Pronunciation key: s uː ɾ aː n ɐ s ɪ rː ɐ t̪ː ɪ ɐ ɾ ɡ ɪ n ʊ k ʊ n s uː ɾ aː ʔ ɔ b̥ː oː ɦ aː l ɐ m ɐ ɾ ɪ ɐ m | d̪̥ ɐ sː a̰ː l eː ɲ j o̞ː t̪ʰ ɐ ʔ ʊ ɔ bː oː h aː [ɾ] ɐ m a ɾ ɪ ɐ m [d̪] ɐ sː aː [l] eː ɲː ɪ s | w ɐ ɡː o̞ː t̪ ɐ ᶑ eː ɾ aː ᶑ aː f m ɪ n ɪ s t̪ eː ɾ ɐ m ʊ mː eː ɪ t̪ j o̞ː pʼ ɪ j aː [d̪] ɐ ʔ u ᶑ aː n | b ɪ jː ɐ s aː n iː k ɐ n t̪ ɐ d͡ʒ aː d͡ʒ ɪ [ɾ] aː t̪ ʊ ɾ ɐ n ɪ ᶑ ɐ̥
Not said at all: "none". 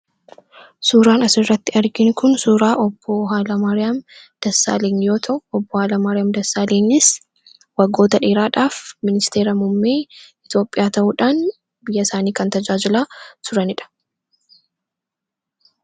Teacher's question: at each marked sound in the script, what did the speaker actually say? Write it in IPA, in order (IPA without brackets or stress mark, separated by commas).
l, d̪, l, t̪, l